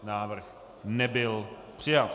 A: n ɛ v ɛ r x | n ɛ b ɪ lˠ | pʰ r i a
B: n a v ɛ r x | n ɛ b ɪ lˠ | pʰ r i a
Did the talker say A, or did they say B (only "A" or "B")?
B